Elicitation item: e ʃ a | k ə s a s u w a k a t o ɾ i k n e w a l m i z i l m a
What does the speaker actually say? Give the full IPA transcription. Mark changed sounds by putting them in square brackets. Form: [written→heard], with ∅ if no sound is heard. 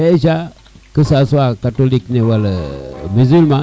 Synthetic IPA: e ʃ a | k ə s a s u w a k a t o [ɾ→l] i k n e w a l m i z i l m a